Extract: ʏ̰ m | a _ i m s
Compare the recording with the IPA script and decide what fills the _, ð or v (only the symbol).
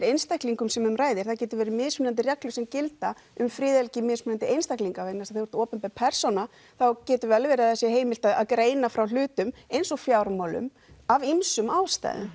v